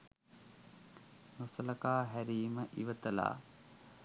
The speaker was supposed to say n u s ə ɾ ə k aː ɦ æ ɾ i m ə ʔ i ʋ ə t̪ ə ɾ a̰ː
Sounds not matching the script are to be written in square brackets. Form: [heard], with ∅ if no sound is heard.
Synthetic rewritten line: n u s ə [l] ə k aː ɦ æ ɾ [iː] m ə ʔ i ʋ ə t̪ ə [l] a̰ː